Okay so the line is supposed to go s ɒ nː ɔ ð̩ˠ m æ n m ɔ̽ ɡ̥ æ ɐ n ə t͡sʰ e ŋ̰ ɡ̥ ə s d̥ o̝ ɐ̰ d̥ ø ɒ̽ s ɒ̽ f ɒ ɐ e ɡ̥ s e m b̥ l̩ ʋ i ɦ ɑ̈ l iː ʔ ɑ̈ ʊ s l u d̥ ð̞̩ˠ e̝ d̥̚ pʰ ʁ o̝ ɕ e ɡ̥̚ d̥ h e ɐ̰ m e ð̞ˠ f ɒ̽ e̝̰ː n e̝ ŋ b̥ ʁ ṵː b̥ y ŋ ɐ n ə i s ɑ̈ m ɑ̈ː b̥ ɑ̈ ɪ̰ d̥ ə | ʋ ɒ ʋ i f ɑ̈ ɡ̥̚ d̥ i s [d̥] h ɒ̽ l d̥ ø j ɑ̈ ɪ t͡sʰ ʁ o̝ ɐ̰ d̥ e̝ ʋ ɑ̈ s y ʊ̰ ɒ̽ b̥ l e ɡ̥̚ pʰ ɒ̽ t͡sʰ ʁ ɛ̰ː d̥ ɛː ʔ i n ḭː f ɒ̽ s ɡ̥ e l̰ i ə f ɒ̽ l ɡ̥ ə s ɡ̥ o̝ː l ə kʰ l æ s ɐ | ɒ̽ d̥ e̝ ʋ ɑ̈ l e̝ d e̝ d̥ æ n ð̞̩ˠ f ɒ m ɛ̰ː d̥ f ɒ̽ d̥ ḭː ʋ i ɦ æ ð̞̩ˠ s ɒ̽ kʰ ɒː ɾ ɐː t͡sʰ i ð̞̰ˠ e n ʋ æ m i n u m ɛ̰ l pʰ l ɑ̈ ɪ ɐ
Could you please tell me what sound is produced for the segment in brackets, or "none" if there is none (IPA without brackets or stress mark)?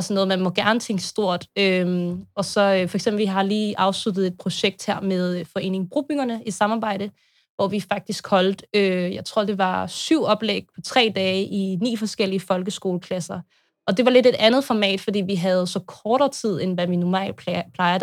ɡ̥